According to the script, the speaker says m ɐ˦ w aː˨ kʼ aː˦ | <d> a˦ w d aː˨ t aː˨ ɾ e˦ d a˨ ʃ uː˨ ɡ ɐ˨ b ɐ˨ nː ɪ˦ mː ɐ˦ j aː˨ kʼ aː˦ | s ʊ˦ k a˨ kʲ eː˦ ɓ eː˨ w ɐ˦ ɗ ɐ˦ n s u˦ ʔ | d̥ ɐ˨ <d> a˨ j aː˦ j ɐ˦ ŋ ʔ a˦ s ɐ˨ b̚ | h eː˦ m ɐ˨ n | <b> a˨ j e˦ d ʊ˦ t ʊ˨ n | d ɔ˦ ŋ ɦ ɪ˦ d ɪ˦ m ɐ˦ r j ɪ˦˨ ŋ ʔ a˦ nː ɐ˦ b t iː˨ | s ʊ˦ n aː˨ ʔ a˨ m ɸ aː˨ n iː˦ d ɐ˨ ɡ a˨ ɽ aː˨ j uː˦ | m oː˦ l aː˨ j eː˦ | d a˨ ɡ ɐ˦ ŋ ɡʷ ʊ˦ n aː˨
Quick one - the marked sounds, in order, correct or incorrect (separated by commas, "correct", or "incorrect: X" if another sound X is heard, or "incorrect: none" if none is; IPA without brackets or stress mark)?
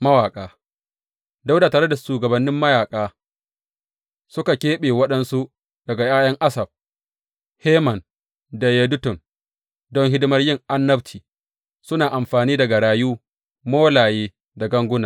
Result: correct, incorrect: ɡ, incorrect: d